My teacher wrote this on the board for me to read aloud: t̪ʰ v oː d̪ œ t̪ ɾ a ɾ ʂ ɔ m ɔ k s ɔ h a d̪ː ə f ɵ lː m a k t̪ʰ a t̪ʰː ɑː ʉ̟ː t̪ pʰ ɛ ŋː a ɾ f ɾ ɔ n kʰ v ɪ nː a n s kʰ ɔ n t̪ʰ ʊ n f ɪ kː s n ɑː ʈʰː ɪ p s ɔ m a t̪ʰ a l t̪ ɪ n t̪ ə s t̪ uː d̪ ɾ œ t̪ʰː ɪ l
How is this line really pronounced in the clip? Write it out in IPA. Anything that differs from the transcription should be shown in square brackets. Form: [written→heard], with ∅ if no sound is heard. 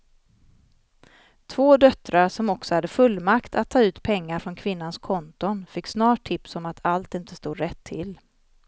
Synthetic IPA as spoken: t̪ʰ v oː d̪ œ t̪ ɾ a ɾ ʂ ɔ m ɔ k s ɔ h a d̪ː ə f ɵ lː m a k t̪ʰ a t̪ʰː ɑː ʉ̟ː t̪ pʰ ɛ ŋː a ɾ f ɾ ɔ n kʰ v ɪ nː a n s kʰ ɔ n [t̪ʰ→t̪] ʊ n f ɪ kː s n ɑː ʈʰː ɪ p s ɔ m a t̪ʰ a l t̪ ɪ n t̪ ə s t̪ uː d̪ ɾ [œ→ɛ] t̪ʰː ɪ l

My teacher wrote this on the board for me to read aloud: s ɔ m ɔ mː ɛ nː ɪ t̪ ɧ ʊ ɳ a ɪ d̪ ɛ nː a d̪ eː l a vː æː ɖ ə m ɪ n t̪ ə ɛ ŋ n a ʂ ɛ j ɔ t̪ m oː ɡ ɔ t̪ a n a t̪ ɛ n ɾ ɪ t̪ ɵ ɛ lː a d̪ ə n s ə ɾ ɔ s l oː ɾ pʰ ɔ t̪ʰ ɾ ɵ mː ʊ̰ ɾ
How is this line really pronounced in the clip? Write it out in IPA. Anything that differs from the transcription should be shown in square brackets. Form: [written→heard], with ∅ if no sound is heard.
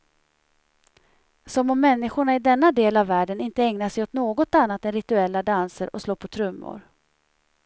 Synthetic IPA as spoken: s ɔ m ɔ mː ɛ nː ɪ [t̪→∅] ɧ ʊ ɳ a ɪ d̪ ɛ nː a d̪ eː l a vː æː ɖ ə [m→n] ɪ n t̪ ə ɛ ŋ n a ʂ ɛ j ɔ t̪ [m→n] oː ɡ ɔ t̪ a [n→nː] a t̪ ɛ n ɾ ɪ t̪ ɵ ɛ lː a d̪ [ə→a] n s ə ɾ ɔ s l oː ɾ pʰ ɔ t̪ʰ ɾ ɵ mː ʊ̰ ɾ

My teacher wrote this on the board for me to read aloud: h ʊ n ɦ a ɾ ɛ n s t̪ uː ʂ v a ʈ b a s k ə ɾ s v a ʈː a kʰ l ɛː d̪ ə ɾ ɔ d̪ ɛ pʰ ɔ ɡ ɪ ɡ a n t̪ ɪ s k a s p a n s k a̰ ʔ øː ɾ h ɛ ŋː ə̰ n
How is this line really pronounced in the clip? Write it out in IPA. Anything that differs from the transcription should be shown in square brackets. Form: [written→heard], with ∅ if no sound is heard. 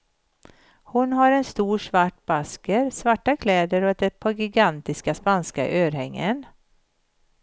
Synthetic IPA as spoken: h ʊ n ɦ a ɾ ɛ n s t̪ uː ʂ v a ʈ b a s k ə ɾ s v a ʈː a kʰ l ɛː d̪ ə ɾ ɔ d̪ ɛ pʰ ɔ ɡ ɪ ɡ a n t̪ ɪ s k a s p a n s k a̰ ʔ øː ɾ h ɛ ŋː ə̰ n

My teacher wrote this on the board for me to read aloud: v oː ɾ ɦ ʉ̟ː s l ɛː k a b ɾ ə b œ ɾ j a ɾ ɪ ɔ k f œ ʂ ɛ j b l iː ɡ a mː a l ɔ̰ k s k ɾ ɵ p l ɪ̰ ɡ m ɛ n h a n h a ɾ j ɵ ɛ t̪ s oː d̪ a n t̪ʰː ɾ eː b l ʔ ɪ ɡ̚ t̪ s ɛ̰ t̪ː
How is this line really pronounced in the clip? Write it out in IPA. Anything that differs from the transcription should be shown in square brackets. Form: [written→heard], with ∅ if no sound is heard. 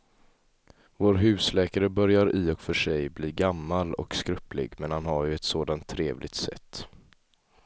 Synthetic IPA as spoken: v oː ɾ ɦ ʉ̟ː s l ɛː k a [b→∅] ɾ ə b œ ɾ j a ɾ ɪ ɔ k f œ ʂ ɛ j b l iː ɡ a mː a l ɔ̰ k s k ɾ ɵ p l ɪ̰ ɡ m ɛ n h a n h a ɾ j ɵ ɛ t̪ s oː d̪ a n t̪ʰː ɾ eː [b→v] l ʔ ɪ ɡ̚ t̪ s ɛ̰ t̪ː

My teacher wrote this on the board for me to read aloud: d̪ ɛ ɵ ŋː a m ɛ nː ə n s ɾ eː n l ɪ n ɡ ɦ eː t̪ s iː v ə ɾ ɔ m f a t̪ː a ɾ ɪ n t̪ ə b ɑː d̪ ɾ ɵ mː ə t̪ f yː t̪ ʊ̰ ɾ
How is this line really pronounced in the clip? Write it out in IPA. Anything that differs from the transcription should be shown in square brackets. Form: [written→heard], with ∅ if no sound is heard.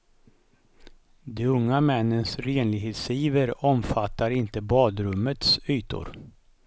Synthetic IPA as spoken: d̪ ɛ ɵ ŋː a m ɛ nː ə n s ɾ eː n l ɪ [n→∅] ɡ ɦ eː t̪ s iː v ə ɾ ɔ m f a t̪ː a ɾ ɪ n t̪ ə b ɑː d̪ ɾ ɵ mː ə t̪ [f→s] yː t̪ ʊ̰ ɾ

